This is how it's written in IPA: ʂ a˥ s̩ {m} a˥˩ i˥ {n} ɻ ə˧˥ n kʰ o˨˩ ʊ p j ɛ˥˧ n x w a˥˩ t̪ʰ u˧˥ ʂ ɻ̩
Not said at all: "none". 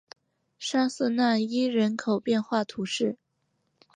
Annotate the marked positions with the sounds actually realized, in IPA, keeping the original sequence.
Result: n, none

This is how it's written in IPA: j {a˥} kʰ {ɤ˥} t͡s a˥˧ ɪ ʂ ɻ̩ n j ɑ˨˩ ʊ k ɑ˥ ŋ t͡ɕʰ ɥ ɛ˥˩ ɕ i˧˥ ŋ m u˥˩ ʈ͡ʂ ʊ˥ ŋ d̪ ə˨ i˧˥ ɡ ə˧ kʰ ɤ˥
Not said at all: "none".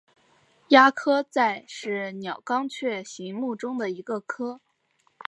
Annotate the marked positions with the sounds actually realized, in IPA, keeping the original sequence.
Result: a˥, ɤ˥

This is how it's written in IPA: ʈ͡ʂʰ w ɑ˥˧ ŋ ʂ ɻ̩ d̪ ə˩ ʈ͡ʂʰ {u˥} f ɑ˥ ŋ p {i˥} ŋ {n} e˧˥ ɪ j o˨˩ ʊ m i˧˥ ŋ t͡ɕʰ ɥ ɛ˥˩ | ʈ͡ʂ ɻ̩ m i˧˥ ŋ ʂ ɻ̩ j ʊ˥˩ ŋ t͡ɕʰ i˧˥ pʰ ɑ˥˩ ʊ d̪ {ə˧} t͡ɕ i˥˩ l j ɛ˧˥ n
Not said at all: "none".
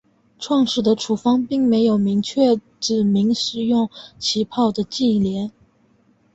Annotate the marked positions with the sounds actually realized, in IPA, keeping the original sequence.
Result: u˨˩, i˥˩, m, ə˩

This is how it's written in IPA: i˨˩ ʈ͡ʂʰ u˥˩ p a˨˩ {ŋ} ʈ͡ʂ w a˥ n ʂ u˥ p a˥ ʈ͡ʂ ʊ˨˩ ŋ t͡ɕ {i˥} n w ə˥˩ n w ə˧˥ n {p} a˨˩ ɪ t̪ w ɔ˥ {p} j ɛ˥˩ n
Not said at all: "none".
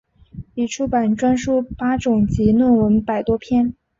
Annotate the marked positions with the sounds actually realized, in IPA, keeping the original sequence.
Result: n, i˧˥, p, pʰ

